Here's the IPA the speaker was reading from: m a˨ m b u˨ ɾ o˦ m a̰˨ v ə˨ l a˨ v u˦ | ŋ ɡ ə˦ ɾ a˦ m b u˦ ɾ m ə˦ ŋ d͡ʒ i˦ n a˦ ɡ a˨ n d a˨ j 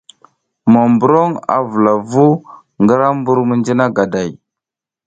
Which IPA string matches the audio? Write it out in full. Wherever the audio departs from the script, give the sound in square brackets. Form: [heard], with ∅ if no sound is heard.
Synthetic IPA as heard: m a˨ m b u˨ ɾ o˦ [ŋ] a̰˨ v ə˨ l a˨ v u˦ | ŋ ɡ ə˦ ɾ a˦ m b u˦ ɾ m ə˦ [n] d͡ʒ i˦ n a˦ ɡ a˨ [∅] d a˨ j